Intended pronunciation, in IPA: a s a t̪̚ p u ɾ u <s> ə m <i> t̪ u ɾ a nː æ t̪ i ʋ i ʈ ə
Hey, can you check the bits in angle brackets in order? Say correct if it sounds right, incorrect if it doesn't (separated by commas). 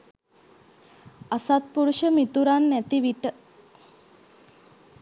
incorrect, correct